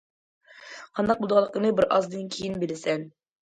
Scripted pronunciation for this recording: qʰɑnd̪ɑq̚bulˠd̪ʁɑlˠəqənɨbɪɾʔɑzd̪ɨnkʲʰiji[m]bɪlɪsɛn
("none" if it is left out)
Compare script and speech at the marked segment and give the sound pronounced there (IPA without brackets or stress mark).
n